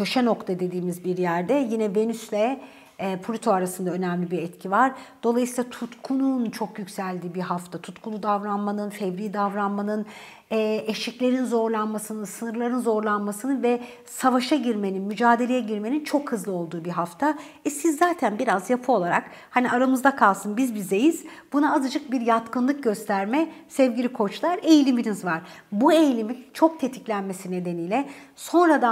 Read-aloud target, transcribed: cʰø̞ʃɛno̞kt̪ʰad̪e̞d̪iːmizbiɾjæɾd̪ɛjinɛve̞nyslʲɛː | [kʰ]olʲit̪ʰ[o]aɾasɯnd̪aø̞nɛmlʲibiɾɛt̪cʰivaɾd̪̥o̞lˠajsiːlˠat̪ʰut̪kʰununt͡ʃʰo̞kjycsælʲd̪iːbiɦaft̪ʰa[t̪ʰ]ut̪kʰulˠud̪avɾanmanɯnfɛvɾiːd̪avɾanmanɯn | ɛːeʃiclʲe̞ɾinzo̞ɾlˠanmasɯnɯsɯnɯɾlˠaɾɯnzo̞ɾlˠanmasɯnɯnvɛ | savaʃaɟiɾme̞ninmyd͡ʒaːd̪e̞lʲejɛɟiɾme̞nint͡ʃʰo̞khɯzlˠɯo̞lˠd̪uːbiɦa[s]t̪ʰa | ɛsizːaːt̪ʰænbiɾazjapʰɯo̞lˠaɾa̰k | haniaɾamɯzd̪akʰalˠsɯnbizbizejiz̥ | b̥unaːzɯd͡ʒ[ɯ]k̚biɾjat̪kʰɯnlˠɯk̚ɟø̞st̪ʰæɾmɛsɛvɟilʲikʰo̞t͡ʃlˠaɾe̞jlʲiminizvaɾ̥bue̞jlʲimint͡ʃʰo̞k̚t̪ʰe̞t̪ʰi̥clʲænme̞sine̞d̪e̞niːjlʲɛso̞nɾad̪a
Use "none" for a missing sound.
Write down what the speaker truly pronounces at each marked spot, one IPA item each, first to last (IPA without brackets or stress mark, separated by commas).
pʰ, o, t̪ʰ, f, ɯ